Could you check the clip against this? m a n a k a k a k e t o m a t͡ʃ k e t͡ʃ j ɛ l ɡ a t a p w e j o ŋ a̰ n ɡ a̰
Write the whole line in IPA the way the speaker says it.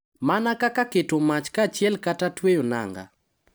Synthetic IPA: m a n a k a k a k e t o m a t͡ʃ k a t͡ʃ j ɛ l k a t a t w e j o n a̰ ŋ ɡ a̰